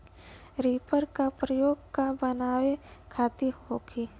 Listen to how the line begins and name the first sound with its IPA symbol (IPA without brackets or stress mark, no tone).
ɾ